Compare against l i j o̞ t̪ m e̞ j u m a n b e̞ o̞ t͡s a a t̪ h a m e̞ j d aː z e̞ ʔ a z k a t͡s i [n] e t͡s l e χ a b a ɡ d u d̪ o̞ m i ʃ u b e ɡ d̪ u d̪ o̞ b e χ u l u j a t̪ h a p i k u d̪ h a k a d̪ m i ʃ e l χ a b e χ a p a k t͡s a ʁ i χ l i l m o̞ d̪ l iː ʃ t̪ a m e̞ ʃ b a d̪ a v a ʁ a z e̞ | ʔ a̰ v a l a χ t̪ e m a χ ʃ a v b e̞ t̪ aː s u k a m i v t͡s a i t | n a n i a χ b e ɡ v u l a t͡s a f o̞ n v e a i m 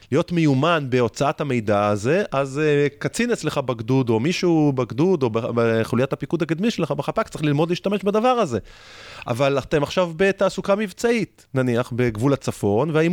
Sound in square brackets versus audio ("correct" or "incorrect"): correct